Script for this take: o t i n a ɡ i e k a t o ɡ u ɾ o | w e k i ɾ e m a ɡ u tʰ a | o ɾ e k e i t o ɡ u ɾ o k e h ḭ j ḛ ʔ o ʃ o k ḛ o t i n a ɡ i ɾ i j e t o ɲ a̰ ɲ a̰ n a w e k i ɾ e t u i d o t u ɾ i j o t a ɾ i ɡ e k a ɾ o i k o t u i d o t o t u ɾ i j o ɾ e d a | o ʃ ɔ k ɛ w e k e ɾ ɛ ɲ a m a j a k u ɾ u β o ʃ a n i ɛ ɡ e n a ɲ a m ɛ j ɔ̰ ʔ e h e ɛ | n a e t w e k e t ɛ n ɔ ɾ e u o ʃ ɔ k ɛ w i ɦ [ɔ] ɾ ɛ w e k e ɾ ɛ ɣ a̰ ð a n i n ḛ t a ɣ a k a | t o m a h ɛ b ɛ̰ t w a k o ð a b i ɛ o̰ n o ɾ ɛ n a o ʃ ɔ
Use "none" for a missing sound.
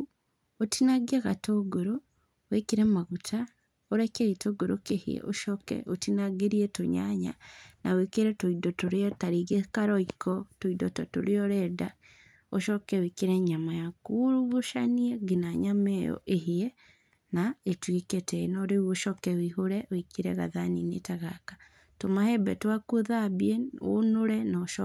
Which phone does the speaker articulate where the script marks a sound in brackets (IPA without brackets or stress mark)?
o